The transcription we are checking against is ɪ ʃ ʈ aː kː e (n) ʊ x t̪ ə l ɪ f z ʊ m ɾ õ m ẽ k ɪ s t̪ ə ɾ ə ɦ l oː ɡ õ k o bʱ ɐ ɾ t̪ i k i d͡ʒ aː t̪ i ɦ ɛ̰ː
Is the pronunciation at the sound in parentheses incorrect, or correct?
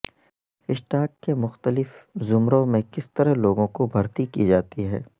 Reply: incorrect